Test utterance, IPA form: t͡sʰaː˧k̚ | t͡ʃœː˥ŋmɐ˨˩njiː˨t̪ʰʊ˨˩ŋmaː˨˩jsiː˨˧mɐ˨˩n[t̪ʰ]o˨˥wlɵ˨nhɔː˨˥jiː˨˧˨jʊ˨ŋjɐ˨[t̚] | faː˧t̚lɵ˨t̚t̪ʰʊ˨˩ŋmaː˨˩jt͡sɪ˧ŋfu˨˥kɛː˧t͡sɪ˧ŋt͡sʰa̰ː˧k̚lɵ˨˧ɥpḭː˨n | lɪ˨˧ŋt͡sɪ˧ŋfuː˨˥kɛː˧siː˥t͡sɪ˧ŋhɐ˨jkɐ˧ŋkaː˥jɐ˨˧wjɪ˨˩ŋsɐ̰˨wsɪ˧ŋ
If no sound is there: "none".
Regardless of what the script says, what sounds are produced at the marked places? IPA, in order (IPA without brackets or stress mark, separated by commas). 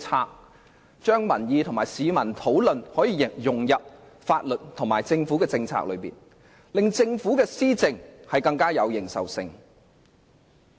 t̪ʰ, p̚